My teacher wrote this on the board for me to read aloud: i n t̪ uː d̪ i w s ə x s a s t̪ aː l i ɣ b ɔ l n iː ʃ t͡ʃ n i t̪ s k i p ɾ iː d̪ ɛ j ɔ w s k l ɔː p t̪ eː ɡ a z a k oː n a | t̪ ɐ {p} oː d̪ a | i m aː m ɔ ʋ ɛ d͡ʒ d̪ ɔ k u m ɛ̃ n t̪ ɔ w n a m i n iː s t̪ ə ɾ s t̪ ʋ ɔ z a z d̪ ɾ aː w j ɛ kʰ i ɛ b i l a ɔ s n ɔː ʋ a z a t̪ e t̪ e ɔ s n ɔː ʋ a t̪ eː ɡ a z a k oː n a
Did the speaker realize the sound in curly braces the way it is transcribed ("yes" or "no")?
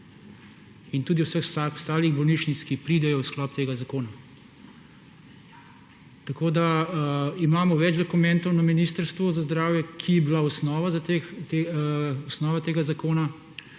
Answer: no